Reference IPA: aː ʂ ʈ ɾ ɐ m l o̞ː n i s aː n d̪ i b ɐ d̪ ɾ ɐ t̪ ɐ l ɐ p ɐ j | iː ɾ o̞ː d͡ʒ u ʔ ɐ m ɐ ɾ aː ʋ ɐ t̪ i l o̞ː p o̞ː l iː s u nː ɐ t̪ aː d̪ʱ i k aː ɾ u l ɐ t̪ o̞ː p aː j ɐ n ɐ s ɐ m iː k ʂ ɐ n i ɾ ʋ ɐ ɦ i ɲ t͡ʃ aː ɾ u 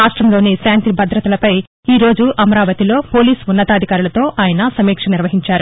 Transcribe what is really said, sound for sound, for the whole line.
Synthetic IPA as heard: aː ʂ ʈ ɾ ɐ m l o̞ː n i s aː n t̪ i b ɐ d̪ ɾ ɐ t̪ ɐ l ɐ p ɐ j | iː ɾ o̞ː d͡ʒ u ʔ ɐ m ɐ ɾ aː ʋ ɐ t̪ i l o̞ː p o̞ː l iː s u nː ɐ t̪ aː d̪ʱ i k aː ɾ u l ɐ t̪ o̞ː ʔ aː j ɐ n ɐ s ɐ m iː k ʂ ɐ n i ɾ ʋ ɐ ɦ i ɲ t͡ʃ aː ɾ u